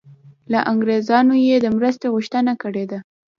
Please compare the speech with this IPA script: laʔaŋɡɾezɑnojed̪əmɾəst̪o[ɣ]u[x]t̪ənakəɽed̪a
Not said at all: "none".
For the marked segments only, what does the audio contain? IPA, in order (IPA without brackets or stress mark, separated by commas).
ɣ, ʃ